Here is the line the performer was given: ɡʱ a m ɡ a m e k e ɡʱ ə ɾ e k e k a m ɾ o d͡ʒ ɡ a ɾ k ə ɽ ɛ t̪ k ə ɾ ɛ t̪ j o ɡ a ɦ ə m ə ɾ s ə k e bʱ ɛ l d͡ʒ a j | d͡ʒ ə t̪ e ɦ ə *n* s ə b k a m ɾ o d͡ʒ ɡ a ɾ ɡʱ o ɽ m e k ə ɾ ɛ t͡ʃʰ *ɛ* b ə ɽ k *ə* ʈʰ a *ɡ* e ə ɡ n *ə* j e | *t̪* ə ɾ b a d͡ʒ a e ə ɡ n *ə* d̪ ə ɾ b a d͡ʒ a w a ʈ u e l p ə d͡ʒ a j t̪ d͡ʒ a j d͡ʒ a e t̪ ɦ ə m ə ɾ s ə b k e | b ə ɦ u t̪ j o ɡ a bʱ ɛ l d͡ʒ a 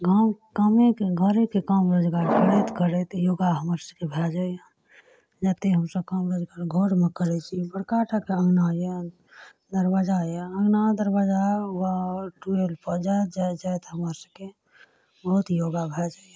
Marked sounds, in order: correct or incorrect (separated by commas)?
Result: incorrect, incorrect, incorrect, incorrect, incorrect, incorrect, incorrect